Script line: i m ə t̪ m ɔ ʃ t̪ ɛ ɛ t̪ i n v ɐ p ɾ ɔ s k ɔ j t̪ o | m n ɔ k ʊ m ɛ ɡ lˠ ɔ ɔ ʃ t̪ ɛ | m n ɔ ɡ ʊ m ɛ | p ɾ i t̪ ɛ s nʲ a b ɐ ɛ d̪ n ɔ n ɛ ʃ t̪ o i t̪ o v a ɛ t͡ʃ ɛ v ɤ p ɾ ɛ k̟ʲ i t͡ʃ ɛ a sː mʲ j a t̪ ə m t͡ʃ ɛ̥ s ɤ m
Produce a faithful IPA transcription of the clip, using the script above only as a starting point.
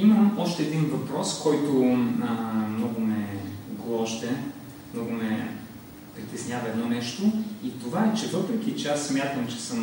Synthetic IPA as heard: i m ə m ɔ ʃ t̪ ɛ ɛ d̪ i n v ɐ p ɾ ɔ s k ɔ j t̪ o | m n ɔ ɡ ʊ m ɛ ɡ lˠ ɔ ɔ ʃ t̪ ɛ | m n ɔ ɡ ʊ m ɛ | p ɾ i t̪ ɛ s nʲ a v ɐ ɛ d̪ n ɔ n ɛ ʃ t̪ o i t̪ o v a ɛ t͡ʃ ɛ v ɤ p ɾ ɛ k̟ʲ i t͡ʃ ɛ a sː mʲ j a t̪ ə m t͡ʃ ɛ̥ s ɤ m